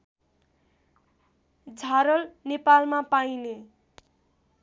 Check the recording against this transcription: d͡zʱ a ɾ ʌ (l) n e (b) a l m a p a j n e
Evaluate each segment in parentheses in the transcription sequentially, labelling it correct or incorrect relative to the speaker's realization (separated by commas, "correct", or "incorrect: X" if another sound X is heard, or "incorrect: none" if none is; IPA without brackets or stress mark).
correct, incorrect: p